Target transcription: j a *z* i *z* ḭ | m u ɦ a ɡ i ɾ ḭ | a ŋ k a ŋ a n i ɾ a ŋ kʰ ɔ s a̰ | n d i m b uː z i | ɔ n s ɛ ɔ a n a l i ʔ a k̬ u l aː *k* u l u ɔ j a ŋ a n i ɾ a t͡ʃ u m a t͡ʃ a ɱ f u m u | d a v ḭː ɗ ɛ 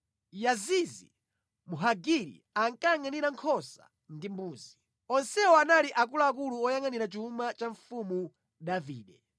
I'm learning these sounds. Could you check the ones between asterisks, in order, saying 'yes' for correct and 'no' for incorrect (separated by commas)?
yes, yes, yes